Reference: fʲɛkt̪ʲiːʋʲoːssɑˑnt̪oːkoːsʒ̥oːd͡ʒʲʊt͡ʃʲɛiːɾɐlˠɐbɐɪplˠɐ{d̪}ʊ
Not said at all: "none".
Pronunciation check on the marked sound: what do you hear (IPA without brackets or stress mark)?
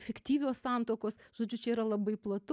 t̪